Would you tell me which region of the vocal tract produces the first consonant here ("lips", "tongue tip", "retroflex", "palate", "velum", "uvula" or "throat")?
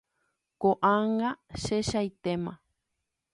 velum